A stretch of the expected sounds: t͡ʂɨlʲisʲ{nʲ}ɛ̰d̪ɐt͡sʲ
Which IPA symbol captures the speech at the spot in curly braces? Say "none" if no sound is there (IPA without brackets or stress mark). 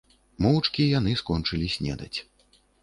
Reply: nʲ